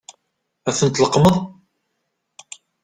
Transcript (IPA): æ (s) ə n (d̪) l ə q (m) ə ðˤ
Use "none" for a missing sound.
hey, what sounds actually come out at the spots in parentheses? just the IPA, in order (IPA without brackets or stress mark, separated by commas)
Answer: θ, t̪, m